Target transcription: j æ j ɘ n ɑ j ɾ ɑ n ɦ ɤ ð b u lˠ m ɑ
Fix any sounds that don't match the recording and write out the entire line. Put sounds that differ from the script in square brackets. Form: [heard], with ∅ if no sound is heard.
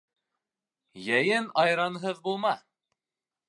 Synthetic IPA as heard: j æ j ɘ n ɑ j ɾ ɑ n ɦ ɤ ð b u lˠ m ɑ